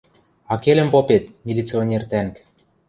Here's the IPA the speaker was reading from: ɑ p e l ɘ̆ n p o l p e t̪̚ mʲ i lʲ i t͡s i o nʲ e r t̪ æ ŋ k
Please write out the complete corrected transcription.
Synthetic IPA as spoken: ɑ k e l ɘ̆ m p o p e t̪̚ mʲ i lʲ i t͡s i o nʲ e r t̪ æ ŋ k